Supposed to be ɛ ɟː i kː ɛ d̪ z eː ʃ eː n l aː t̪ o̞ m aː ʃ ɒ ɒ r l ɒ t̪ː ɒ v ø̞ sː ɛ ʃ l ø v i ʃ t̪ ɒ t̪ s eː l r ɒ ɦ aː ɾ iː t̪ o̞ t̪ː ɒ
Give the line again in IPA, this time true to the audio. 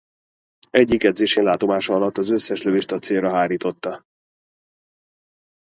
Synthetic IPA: ɛ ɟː i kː ɛ d̪ z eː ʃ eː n l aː t̪ o̞ m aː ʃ ɒ ɒ l ɒ t̪ː ɒ z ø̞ sː ɛ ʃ l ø v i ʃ t̪ ɒ t̪ s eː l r ɒ ɦ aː ɾ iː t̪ o̞ t̪ː ɒ

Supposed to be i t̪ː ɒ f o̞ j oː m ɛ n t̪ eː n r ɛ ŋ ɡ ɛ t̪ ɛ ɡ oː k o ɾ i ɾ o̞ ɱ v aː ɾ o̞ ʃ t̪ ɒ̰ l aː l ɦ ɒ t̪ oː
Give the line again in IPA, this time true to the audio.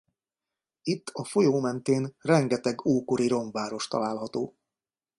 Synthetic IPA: i t̪ː ɒ f o̞ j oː m ɛ n t̪ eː n r ɛ ŋ ɡ ɛ t̪ ɛ ɡ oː k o ɾ i ɾ o̞ ɱ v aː ɾ o̞ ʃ t̪ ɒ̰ l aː l ɦ ɒ t̪ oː

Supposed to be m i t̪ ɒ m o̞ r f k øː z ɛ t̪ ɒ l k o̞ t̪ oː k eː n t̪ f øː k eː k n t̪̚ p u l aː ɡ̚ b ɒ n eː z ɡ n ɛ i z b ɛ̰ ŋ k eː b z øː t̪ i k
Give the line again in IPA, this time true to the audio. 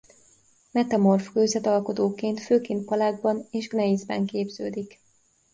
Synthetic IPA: m ɛ t̪ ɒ m o̞ r f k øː z ɛ t̪ ɒ l k o̞ t̪ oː k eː n t̪ f øː k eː n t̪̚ p ɒ l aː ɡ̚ b ɒ n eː ʒ ɡ n ɛ i z b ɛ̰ ŋ k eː b z øː d̪ i k

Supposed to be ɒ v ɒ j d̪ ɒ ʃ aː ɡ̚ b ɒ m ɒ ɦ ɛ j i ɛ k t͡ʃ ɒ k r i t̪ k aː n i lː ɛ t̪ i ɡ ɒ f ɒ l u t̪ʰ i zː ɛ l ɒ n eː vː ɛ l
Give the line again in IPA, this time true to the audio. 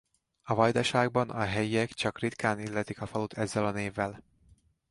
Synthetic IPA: ɒ v ɒ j d̪ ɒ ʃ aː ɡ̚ b ɒ n ɒ ɦ ɛ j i ɛ k t͡ʃ ɒ k r i t̪ k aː n i lː ɛ t̪ i k ɒ f ɒ l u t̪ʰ ɛ zː ɛ l ɒ n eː vː ɛ l

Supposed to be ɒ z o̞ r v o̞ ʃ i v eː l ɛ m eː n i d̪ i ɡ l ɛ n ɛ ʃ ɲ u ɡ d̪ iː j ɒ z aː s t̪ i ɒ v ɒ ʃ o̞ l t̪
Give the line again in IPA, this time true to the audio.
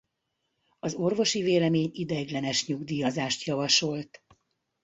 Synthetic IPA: ɒ z o̞ r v o̞ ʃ i v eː l ɛ m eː ɲ i d̪ ɛ ɡ l ɛ n ɛ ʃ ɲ u ɡ d̪ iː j ɒ z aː ʃ t̪ j ɒ v ɒ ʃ o̞ l t̪

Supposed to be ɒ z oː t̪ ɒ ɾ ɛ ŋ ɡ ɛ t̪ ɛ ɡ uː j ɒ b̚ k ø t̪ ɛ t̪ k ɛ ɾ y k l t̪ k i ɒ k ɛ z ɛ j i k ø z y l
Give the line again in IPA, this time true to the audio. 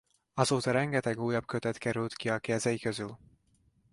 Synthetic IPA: ɒ z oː t̪ ɒ ɾ ɛ ŋ ɡ ɛ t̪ ɛ ɡ uː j ɒ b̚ k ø t̪ ɛ t̪ k ɛ ɾ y l t̪ k i ɒ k ɛ z ɛ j i k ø z y l

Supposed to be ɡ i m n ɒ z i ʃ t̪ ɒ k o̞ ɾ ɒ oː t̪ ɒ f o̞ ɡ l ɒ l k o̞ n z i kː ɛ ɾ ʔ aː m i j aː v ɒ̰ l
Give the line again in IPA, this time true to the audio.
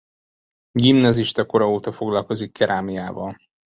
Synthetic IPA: ɡ i m n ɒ z i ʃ t̪ ɒ k o̞ ɾ ɒ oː t̪ ɒ f o̞ ɡ l ɒ l k o̞ z i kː ɛ ɾ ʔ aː m i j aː v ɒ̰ l

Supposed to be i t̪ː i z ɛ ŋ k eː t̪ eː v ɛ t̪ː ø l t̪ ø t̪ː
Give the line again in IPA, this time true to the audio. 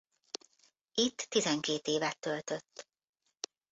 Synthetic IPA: i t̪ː i z ɛ ŋ k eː t̪ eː v ɛ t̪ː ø l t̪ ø t̪ː

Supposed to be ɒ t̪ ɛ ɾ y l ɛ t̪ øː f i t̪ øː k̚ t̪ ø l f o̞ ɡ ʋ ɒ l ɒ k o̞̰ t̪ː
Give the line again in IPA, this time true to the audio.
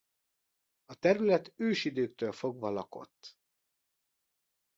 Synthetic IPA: ɒ t̪ ɛ ɾ y l ɛ t̪ øː ʃ i d̪ øː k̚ t̪ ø l f o̞ ɡ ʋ ɒ l ɒ k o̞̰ t̪ː

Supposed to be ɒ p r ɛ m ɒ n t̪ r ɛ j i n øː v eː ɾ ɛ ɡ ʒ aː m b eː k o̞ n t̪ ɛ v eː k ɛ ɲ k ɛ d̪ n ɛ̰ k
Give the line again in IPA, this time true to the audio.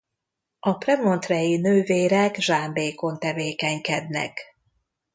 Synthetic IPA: ɒ p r ɛ m o n t̪ r ɛ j i n øː v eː ɾ ɛ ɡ ʒ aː m b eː k o̞ n t̪ ɛ v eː k ɛ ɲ k ɛ d̪ n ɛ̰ k

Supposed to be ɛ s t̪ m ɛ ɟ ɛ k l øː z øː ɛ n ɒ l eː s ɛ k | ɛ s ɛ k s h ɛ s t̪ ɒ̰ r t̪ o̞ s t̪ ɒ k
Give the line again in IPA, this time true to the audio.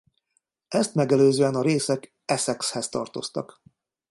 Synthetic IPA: ɛ s t̪ m ɛ ɡ ɛ l øː z øː ɛ n ɒ ɾ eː s ɛ k | ɛ s ɛ k s h ɛ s t̪ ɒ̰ r t̪ o̞ s t̪ ɒ k

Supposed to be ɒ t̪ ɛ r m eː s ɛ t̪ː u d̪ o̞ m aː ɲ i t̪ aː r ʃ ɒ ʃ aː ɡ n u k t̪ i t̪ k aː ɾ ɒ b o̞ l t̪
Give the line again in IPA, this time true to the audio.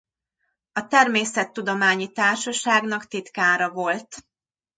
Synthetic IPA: ɒ t̪ ɛ r m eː s ɛ t̪ː u d̪ o̞ m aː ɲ i t̪ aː r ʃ ɒ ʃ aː ɡ n ɒ k t̪ i t̪ k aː ɾ ɒ v o̞ l t̪

